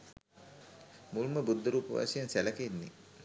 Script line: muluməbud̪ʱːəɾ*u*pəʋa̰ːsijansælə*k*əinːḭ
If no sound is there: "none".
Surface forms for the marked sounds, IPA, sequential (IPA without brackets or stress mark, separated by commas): uː, k